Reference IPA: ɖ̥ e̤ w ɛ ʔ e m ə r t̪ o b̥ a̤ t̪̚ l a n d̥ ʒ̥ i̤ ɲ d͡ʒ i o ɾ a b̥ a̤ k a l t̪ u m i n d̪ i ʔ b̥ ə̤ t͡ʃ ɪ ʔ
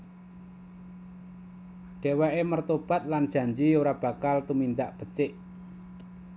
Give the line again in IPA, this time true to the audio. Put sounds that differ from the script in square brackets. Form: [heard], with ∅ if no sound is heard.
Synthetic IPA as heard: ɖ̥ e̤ w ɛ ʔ e m ə r t̪ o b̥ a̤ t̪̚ l a n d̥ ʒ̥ [a̤] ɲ d͡ʒ i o ɾ a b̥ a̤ k a l t̪ u m i n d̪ [a] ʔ b̥ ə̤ t͡ʃ ɪ ʔ